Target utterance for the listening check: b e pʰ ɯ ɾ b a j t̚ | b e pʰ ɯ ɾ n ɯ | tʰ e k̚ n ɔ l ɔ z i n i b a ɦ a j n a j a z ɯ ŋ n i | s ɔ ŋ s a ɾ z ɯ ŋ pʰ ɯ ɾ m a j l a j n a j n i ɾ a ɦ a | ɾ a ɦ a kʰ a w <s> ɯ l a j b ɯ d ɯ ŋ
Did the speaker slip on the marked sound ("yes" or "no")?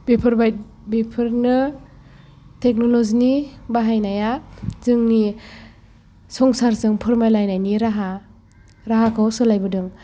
no